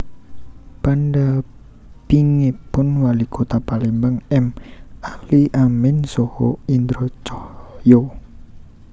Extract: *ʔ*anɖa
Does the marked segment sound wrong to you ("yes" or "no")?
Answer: yes